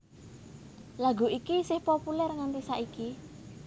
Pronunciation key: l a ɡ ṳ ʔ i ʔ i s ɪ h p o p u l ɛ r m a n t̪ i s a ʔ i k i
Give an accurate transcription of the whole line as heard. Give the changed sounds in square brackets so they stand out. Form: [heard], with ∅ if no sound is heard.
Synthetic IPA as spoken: l a ɡ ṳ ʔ i [k] i s ɪ h p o p u l ɛ r [ŋ] a n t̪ i s a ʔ i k i